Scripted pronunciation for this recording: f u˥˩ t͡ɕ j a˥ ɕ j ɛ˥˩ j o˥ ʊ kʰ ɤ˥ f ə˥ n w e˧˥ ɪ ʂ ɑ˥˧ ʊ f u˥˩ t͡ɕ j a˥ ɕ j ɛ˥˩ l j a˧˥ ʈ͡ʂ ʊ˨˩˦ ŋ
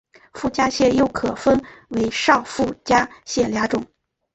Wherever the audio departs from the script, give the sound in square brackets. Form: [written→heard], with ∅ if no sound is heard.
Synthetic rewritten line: f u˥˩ t͡ɕ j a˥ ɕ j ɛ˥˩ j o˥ ʊ kʰ [ɤ˥→ɤ˨˩] f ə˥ n w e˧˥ ɪ ʂ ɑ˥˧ ʊ f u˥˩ t͡ɕ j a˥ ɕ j ɛ˥˩ l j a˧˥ ʈ͡ʂ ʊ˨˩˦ ŋ